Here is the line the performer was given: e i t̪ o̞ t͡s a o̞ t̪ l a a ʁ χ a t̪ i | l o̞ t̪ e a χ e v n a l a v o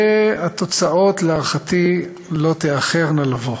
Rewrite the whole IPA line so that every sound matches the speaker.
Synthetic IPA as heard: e a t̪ o̞ t͡s a o̞ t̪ l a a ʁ χ a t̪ i | l o̞ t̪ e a χ e ʁ n a l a v o